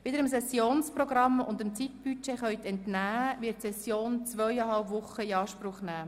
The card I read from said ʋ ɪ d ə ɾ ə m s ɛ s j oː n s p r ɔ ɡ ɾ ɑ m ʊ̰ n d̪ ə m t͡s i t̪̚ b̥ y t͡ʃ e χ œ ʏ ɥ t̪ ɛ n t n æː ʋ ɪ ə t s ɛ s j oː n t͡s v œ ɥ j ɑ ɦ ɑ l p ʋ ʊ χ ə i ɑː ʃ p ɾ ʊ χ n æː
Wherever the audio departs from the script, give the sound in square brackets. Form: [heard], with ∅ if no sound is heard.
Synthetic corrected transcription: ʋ ɪ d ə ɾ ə m s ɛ s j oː n s p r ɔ ɡ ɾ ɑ m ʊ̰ n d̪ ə m t͡s i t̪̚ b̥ y t͡ʃ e χ œ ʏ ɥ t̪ ɛ n t n æː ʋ ɪ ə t s ɛ s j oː n t͡s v œ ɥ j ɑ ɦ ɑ l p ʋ ʊ χ ə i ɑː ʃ p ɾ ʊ χ n æː

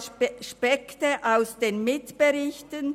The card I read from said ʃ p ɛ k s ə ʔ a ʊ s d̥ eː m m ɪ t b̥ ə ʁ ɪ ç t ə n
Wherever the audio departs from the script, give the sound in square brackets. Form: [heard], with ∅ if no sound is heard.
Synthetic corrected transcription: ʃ p ɛ k [t] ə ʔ a ʊ s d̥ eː [n] m ɪ t b̥ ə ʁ ɪ ç t ə n

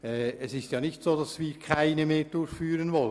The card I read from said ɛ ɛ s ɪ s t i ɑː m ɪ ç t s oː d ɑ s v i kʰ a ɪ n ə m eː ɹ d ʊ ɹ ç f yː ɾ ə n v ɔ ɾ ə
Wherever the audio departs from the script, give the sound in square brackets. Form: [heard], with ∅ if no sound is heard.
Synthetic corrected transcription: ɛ ɛ s ɪ s t [j] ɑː [n] ɪ ç t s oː d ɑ s v [iː] kʰ a ɪ n ə m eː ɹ d ʊ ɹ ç f yː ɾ ə n v ɔ [l] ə

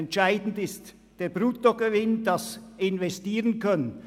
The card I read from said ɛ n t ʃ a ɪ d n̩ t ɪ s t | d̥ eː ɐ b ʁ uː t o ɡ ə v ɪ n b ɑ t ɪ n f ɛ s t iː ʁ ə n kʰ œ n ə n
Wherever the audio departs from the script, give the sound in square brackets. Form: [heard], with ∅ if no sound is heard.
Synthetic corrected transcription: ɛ n t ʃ a ɪ d n̩ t ɪ s t | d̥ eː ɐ b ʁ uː t o ɡ ə v ɪ n [d] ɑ [s] ɪ n [v] ɛ s t iː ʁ ə n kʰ œ n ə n

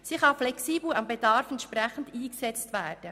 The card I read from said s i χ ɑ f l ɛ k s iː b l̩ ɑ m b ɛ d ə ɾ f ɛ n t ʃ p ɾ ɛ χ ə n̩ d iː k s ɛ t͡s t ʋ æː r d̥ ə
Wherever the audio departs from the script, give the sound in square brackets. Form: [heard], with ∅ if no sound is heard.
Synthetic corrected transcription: s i χ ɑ f l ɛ k s iː b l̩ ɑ m b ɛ d [ɑ] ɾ f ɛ n t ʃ p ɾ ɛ χ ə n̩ d iː k s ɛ t͡s t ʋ æː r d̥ ə

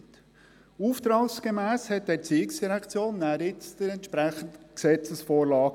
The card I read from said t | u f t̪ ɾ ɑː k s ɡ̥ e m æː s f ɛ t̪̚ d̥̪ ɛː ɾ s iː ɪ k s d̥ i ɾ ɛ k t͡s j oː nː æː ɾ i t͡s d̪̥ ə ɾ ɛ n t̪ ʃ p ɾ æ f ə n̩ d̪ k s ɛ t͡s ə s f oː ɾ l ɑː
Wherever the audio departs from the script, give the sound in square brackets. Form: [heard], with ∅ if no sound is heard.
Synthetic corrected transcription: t | u f t̪ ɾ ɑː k s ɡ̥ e m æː s [h] ɛ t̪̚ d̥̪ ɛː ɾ [t͡s] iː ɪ k s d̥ i ɾ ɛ k t͡s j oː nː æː ɾ [ɪ] t͡s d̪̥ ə ɾ ɛ n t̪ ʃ p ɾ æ [χ] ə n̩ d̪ k s ɛ t͡s ə s f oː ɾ l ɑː

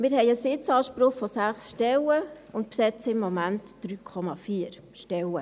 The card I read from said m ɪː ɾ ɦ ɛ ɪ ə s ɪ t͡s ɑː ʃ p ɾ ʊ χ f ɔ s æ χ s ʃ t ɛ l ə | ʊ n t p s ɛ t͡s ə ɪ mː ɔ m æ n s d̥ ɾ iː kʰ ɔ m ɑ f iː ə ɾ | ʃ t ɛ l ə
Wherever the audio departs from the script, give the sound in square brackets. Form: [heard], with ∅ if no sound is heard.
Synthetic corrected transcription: m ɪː ɾ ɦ ɛ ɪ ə s ɪ t͡s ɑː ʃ p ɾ ʊ χ f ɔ s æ χ s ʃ t ɛ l ə | ʊ n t p s ɛ t͡s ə ɪ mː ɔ m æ n [t] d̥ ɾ [yː] kʰ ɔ m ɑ f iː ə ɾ | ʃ t ɛ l ə

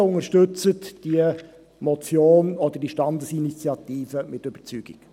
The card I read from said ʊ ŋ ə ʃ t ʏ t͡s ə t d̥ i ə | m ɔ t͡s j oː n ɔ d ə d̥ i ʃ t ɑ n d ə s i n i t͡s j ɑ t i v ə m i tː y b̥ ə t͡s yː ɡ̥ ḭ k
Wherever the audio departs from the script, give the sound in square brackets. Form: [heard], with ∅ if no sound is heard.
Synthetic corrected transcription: ʊ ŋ ə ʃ t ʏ t͡s ə t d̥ i ə | m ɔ t͡s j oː n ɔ d ə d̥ i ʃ t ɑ n d ə s i n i t͡s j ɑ t [iː] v ə m [ɪ] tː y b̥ ə t͡s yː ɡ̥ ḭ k

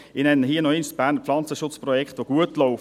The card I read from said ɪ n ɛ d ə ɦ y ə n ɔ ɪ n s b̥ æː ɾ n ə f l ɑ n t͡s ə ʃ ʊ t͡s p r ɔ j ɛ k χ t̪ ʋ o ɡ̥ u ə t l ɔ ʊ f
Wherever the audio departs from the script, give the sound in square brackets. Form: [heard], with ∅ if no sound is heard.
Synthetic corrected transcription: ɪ n ɛ [n] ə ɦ [i] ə n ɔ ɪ n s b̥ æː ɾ n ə f l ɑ n t͡s ə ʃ ʊ t͡s p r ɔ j ɛ k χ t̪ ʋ o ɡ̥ u ə t l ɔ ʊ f

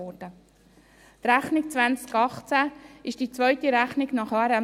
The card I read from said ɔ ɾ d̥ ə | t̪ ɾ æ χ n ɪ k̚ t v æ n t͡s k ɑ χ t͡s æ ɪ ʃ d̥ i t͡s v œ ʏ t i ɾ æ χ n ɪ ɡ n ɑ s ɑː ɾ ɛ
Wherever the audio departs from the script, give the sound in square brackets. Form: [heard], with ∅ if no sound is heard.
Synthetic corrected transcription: ɔ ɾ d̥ ə | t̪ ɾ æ χ n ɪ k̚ [t͡s] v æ n t͡s k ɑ χ t͡s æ ɪ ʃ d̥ i t͡s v œ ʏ t i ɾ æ χ n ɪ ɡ n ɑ [χ] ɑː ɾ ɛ

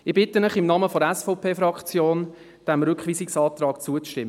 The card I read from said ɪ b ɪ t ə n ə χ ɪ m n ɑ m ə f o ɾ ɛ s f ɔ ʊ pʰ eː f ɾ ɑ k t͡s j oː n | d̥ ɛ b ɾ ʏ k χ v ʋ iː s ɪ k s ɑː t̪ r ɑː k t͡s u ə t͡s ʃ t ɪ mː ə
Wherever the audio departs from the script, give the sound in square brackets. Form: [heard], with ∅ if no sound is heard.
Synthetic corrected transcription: ɪ b ɪ t ə n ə χ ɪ m n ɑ m ə f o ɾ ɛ s f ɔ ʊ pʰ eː f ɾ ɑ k t͡s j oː n | d̥ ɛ [m] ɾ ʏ k χ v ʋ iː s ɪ k s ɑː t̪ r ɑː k t͡s u ə t͡s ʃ t ɪ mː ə

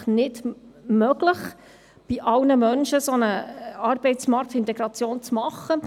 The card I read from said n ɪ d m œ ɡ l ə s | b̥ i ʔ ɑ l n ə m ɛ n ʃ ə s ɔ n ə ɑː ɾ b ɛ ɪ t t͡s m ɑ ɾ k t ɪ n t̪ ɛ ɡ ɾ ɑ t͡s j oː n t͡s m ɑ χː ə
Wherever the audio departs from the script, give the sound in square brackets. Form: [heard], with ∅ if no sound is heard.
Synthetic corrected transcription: n ɪ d m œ ɡ l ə [χ] | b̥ i ʔ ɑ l n ə m [œ] n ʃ ə s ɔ n ə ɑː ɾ b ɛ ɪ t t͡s m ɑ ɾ k t ɪ n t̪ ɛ ɡ ɾ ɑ t͡s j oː n t͡s m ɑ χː ə

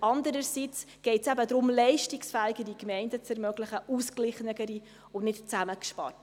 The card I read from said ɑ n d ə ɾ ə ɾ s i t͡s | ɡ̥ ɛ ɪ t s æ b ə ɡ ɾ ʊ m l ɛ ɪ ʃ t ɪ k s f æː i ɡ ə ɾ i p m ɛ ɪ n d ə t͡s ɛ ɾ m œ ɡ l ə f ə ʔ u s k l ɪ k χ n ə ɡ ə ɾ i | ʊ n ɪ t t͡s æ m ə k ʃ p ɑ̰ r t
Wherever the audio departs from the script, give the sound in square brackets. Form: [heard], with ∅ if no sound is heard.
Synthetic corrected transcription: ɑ n d ə ɾ ə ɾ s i t͡s | ɡ̥ ɛ ɪ t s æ b ə [d] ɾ ʊ m l ɛ ɪ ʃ t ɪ k s f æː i ɡ ə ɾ i [k] m ɛ ɪ n d ə t͡s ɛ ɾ m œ ɡ l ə [χ] ə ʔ u s k l ɪ [∅] χ n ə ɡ ə ɾ i | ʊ n ɪ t t͡s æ m ə k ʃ p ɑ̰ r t

